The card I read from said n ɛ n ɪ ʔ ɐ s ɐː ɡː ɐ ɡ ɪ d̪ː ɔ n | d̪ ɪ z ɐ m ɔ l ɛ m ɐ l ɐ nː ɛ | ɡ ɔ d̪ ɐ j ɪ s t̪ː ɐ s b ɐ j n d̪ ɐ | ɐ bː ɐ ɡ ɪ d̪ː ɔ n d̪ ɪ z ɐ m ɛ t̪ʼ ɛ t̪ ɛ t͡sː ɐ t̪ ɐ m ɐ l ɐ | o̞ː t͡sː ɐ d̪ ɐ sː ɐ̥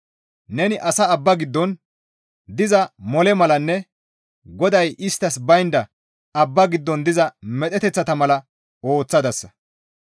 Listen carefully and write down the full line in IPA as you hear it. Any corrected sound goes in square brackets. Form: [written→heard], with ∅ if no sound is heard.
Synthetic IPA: n ɛ n ɪ ʔ ɐ s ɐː [ɡː→bː] ɐ ɡ ɪ d̪ː ɔ n | d̪ ɪ z ɐ m ɔ l ɛ m ɐ l ɐ nː ɛ | ɡ ɔ d̪ ɐ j ɪ s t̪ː ɐ s b ɐ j n d̪ ɐ | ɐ bː ɐ ɡ ɪ d̪ː ɔ n d̪ ɪ z ɐ m ɛ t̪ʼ ɛ t̪ ɛ t͡sː ɐ t̪ ɐ m ɐ l ɐ | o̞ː t͡sː ɐ d̪ ɐ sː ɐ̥